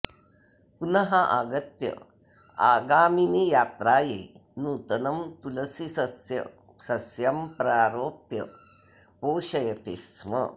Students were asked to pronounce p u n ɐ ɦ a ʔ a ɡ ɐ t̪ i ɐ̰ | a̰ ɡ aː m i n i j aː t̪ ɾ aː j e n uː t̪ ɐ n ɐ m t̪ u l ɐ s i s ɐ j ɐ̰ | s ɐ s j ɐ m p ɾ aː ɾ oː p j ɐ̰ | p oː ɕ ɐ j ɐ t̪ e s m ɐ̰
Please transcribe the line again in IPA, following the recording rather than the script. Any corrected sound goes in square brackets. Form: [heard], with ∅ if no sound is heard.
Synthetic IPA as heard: p u n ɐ ɦ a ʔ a ɡ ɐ t̪ [j] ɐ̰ | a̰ ɡ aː m i n i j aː t̪ ɾ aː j e n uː t̪ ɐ n ɐ m t̪ u l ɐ s i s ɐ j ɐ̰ | s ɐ s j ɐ m p ɾ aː ɾ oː p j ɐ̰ | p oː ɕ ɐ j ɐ t̪ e s m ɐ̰